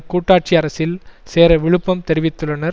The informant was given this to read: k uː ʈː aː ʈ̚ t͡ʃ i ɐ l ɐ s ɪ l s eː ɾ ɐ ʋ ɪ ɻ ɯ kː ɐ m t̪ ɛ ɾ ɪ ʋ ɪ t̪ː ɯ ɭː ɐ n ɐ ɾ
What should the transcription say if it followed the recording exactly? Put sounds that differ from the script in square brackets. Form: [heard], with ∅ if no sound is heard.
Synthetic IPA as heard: k uː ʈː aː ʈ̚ t͡ʃ i ɐ [ɾ] ɐ s ɪ l s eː ɾ ɐ ʋ ɪ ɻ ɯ [pː] ɐ m t̪ ɛ ɾ ɪ ʋ ɪ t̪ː ɯ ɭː ɐ n ɐ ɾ